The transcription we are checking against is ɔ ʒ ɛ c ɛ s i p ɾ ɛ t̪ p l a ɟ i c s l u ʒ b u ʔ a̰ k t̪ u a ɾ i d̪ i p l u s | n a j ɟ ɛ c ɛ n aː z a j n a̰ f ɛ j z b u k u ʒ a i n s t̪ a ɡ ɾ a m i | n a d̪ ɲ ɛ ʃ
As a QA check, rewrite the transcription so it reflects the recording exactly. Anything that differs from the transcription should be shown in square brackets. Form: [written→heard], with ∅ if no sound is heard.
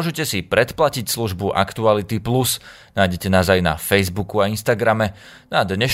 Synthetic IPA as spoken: ɔ ʒ ɛ c ɛ s i p ɾ ɛ t̪ p l a [ɟ→c] i c s l u ʒ b u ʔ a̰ k t̪ u a [ɾ→l] i [d̪→t̪] i p l u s | n a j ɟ ɛ c ɛ n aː z a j n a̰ f ɛ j z b u k u [ʒ→∅] a i n s t̪ a ɡ ɾ a m [i→ɛ] | n a d̪ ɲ ɛ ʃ